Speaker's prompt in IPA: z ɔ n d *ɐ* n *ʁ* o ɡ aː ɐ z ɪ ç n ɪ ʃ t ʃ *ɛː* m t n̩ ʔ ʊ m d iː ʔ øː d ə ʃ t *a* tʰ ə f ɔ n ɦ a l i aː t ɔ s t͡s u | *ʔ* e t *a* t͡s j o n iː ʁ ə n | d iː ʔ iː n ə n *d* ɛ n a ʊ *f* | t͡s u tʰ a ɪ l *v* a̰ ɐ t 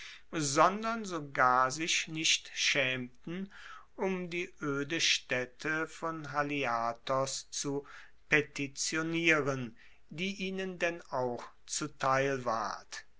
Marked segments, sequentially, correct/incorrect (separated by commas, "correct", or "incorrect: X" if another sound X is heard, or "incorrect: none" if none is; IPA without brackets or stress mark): correct, incorrect: z, correct, incorrect: ɛ, incorrect: p, incorrect: i, correct, incorrect: x, correct